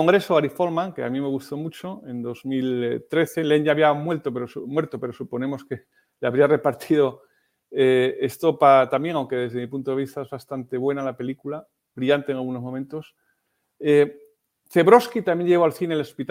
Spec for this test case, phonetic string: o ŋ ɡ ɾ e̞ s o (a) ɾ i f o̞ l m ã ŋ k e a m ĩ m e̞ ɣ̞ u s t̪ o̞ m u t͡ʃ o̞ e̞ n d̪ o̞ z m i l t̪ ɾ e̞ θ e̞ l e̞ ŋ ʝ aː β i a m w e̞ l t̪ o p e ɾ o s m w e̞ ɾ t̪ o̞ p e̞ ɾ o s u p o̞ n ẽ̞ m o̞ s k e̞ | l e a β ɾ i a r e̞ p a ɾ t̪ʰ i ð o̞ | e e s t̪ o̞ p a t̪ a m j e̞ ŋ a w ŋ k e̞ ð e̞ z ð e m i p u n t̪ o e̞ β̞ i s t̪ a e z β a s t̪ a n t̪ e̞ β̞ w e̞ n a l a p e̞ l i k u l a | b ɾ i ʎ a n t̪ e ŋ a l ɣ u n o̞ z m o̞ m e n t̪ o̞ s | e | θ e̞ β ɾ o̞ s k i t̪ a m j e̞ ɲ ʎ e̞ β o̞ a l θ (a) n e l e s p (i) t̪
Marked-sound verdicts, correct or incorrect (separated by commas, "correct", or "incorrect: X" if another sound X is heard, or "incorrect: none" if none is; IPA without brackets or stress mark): correct, incorrect: i, correct